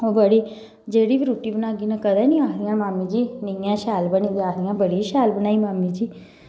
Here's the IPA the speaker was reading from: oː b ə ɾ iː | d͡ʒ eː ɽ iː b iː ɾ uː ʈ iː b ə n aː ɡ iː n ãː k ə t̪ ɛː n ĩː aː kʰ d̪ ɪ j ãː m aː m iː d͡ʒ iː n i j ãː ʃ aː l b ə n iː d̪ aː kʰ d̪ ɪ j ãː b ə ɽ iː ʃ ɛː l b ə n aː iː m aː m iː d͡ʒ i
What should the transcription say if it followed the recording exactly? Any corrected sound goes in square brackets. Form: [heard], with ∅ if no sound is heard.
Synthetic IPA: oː b ə [ɽ] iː | d͡ʒ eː ɽ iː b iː ɾ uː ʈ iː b ə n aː ɡ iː n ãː k ə [d̪] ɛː n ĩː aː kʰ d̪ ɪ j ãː m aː m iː d͡ʒ iː n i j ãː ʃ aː l b ə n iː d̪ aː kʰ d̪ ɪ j ãː b ə ɽ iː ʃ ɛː l b ə n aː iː m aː m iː d͡ʒ [iː]